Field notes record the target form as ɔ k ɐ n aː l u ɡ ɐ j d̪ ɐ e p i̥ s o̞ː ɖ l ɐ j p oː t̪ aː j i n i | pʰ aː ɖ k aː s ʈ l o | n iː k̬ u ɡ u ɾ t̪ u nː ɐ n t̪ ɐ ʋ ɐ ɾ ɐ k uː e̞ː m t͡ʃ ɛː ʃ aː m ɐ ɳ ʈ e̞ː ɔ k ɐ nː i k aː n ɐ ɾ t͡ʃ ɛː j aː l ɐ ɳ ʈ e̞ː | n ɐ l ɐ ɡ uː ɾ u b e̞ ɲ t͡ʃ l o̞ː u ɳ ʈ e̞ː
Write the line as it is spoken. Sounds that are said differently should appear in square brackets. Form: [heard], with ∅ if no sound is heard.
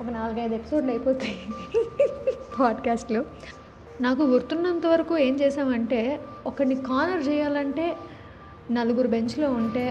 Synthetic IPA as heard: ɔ k ɐ n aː l u ɡ ɐ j d̪ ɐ e p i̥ s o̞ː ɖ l ɐ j p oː t̪ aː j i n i | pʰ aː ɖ k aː s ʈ l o | n [aː] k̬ u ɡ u ɾ t̪ u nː ɐ n t̪ ɐ ʋ ɐ ɾ ɐ k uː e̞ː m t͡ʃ ɛː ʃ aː m ɐ ɳ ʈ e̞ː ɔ k ɐ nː i k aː n ɐ ɾ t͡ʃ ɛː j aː l ɐ ɳ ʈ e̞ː | n ɐ l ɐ ɡ [u] ɾ u b e̞ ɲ t͡ʃ l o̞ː u ɳ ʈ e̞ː